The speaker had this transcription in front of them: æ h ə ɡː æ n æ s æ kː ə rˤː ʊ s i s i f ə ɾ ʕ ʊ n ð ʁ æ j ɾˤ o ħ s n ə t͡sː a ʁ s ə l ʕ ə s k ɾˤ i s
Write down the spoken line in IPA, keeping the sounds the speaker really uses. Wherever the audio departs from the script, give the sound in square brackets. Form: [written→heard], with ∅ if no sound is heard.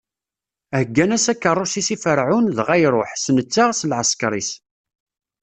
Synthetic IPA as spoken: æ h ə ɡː æ n æ s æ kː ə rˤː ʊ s i s i f ə ɾ ʕ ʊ n ð ʁ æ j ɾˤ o ħ s n ə t͡sː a ʁ s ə l ʕ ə s k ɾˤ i s